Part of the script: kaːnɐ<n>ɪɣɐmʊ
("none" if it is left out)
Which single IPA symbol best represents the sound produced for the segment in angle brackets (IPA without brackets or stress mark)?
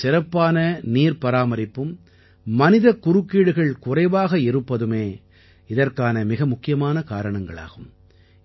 m